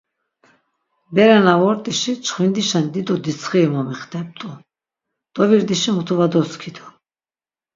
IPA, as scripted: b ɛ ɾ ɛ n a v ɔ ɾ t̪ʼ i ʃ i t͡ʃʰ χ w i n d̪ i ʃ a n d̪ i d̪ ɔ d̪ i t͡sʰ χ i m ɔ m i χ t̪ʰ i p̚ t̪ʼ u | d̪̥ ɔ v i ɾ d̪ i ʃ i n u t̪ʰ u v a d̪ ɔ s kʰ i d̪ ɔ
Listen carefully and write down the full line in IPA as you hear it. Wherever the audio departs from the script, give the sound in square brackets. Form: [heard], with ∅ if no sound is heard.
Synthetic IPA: b ɛ ɾ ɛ n a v ɔ ɾ t̪ʼ i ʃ i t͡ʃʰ χ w i n d̪ i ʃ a n d̪ i d̪ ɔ d̪ i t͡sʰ χ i m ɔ m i χ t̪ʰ [ɛ] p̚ t̪ʼ u | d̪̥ ɔ v i ɾ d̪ i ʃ i [m] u t̪ʰ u v a d̪ ɔ s kʰ i d̪ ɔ